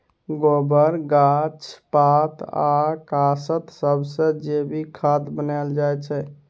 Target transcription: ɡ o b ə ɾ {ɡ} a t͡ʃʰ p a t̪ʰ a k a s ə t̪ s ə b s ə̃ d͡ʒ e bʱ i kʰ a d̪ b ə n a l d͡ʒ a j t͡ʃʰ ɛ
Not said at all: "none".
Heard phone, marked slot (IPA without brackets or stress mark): ɡ